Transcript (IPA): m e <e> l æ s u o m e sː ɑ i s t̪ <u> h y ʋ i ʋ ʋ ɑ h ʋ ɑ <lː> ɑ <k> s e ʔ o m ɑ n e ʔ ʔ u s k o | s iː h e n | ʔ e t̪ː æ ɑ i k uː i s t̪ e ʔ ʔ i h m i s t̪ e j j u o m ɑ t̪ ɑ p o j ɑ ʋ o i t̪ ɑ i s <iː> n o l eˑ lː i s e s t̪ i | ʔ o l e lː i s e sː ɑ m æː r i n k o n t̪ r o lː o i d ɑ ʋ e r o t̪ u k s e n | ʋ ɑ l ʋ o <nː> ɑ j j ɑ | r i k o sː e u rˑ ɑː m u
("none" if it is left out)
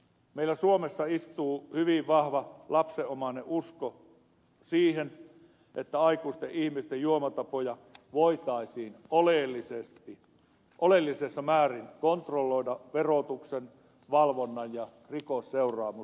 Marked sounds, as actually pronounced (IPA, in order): i, uː, l, p, iː, nː

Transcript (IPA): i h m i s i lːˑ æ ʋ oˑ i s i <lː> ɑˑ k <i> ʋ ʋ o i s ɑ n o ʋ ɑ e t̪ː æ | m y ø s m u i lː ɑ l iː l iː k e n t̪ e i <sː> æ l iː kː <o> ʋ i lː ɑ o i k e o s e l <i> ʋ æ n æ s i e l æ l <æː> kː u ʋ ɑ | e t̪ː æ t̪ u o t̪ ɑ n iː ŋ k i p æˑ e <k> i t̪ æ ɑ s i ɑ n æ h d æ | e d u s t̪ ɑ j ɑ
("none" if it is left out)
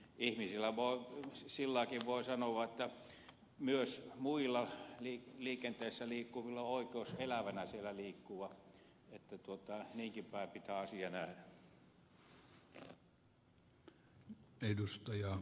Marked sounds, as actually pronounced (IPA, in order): lː, i, sː, u, æ, iː, p

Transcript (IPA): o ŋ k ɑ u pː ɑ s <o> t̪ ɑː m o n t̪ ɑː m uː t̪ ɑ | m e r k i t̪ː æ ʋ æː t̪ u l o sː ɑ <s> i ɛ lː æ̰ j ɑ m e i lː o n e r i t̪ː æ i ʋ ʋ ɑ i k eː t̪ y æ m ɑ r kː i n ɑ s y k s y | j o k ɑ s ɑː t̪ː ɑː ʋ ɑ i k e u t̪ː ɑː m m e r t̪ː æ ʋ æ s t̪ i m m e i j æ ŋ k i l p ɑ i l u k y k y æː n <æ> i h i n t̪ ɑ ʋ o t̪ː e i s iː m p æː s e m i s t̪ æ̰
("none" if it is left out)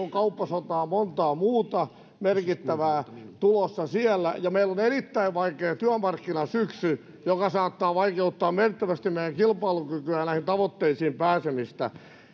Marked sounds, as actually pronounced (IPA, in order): o, s, æ

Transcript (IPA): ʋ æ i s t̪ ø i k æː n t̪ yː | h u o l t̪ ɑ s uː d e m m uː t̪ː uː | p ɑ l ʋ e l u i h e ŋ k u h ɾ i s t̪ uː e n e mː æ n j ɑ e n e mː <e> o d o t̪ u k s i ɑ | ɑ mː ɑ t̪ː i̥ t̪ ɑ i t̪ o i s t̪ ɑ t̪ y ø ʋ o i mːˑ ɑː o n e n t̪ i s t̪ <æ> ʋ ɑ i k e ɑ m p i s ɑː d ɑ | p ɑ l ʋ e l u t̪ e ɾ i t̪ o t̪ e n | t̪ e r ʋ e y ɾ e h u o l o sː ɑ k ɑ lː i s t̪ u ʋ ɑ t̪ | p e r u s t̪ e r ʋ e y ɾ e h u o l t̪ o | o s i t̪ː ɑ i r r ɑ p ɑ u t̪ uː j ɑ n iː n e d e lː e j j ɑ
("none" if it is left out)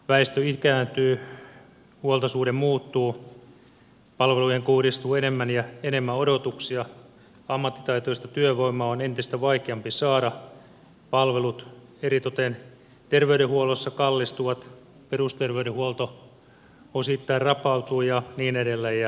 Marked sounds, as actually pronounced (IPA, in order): æ, æ

